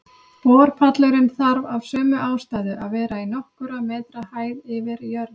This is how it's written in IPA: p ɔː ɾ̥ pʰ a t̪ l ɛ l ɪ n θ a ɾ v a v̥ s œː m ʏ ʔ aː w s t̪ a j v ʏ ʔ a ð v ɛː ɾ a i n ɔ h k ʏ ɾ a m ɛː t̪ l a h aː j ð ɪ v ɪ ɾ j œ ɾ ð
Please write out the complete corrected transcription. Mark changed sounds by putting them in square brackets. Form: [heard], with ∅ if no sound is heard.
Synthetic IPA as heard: p ɔː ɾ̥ pʰ a t̪ l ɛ [ɾ] ɪ n θ a ɾ v a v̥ s œː m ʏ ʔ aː w s t̪ a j [ð] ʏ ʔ a ð v ɛː ɾ a i n ɔ h k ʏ ɾ a m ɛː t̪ [ɾ] a h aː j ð ɪ v ɪ ɾ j œ ɾ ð